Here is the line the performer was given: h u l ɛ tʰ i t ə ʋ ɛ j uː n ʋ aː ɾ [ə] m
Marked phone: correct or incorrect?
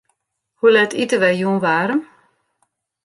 correct